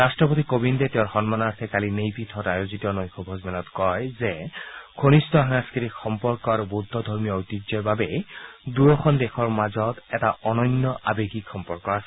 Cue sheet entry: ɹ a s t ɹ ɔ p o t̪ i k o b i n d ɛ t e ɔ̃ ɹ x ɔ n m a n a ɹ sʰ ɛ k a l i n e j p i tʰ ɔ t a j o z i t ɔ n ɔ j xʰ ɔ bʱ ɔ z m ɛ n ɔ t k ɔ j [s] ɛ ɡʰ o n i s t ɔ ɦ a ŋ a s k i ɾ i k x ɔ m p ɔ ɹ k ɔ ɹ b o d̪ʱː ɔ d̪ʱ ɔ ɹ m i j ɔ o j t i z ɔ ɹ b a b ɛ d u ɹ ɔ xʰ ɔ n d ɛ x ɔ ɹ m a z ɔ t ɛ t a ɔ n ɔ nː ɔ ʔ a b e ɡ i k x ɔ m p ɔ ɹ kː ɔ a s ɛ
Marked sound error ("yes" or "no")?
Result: yes